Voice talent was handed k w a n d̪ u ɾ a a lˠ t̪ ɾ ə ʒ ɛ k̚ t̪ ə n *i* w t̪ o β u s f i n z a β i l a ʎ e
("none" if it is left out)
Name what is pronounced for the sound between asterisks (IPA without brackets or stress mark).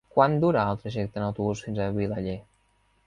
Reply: a